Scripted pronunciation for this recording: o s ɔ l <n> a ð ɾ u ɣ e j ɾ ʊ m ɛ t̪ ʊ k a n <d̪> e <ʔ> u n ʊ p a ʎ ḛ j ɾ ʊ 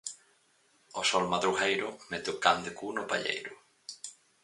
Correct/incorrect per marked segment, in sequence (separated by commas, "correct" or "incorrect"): incorrect, correct, incorrect